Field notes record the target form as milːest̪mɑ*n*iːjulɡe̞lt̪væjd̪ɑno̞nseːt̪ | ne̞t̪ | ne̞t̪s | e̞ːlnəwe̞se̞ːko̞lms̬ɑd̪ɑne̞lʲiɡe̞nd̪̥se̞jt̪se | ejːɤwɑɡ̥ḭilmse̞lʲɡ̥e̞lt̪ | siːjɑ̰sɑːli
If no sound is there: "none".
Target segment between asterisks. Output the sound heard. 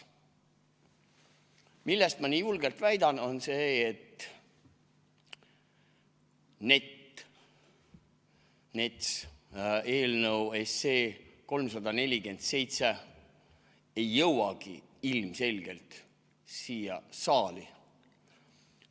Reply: n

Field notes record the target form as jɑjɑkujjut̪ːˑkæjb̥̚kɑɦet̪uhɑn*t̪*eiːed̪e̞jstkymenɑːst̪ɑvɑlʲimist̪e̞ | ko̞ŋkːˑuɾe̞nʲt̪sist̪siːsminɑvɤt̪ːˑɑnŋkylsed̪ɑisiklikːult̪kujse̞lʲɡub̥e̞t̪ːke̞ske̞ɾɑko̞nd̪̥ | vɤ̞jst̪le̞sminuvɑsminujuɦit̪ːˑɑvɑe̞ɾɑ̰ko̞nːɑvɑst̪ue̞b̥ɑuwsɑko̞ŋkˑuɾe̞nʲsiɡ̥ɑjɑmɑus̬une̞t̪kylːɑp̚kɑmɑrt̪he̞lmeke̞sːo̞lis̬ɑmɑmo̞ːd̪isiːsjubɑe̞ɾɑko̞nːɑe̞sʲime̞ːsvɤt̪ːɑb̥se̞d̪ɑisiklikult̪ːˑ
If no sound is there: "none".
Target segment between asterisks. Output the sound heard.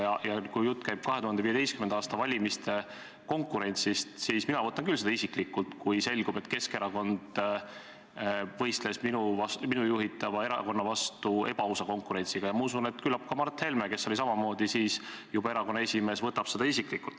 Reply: d̪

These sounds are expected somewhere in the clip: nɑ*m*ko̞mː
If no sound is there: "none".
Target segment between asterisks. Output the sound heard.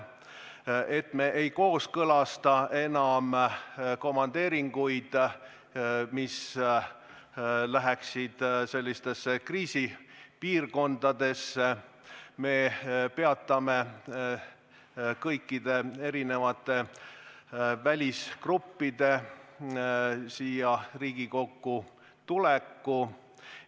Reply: m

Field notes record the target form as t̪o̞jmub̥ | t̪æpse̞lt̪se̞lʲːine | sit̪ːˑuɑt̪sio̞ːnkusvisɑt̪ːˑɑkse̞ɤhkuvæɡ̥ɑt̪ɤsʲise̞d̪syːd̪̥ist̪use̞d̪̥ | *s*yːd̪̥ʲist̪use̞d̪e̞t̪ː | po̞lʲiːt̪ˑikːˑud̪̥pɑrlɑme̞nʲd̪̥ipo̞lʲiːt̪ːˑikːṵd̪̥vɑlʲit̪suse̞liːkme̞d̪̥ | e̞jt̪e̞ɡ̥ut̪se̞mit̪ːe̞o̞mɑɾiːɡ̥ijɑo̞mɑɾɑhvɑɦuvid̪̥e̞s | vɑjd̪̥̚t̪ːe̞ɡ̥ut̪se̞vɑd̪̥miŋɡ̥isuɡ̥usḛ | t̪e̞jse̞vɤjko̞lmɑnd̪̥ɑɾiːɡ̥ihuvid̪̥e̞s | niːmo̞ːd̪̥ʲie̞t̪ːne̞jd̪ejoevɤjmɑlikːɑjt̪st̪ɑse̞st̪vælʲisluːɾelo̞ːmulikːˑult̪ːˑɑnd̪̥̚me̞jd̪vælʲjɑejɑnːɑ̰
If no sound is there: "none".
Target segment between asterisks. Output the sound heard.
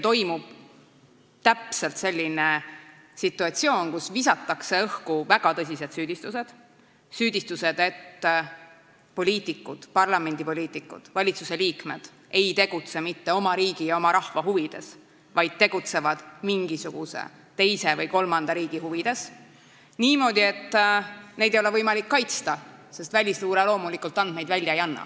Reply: s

